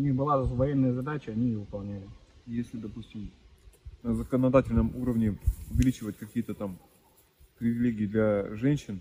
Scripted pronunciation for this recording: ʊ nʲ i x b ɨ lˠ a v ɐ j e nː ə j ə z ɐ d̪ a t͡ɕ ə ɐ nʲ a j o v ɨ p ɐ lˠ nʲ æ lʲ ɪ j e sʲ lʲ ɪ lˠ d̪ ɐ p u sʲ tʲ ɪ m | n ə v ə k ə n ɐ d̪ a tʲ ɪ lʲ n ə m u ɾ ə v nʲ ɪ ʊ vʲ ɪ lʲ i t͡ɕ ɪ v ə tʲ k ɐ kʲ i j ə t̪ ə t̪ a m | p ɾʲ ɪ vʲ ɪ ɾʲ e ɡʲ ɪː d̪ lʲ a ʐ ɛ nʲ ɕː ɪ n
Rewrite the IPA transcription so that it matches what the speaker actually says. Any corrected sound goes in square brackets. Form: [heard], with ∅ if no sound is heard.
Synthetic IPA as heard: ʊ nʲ i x b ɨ lˠ a v ɐ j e nː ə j ə z ɐ d̪ a t͡ɕ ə ɐ nʲ [i] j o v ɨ p ɐ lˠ nʲ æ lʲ ɪ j e sʲ lʲ ɪ [∅] d̪ ɐ p u sʲ tʲ ɪ m | n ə [z] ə k ə n ɐ d̪ a tʲ ɪ lʲ n ə m u ɾ ə v nʲ ɪ ʊ vʲ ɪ lʲ i t͡ɕ ɪ v ə tʲ k ɐ kʲ i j ə t̪ ə t̪ a m | p ɾʲ ɪ vʲ ɪ [lʲ] e ɡʲ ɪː d̪ lʲ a ʐ ɛ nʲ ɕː ɪ n